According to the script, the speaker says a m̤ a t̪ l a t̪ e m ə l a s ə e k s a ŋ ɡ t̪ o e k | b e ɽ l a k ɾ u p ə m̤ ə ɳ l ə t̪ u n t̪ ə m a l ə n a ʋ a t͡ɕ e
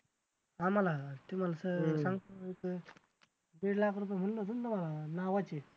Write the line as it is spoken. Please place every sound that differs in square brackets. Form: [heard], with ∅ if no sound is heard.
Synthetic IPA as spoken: a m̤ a [∅] l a t̪ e m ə l a s ə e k s a ŋ ɡ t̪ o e k | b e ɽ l a k ɾ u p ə m̤ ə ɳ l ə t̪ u n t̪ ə m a l [a] n a ʋ a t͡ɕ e